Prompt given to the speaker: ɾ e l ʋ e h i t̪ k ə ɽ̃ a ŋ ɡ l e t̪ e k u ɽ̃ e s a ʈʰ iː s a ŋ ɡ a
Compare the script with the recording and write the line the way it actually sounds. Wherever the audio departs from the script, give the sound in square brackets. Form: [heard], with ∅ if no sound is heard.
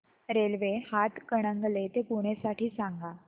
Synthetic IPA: ɾ e l ʋ e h [a] t̪ k ə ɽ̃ [ə] ŋ ɡ l e t̪ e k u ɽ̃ e s a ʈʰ iː s a ŋ ɡ a